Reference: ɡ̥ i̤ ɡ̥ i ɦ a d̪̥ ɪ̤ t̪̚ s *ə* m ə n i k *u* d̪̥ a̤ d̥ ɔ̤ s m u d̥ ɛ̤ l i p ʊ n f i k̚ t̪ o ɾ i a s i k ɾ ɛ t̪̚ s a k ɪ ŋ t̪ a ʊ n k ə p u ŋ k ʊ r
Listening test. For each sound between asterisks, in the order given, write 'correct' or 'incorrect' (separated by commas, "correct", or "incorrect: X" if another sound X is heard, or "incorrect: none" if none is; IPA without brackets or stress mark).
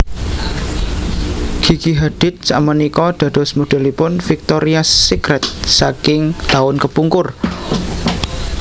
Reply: incorrect: a, incorrect: ɔ